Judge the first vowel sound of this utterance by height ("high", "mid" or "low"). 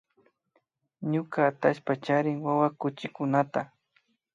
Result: high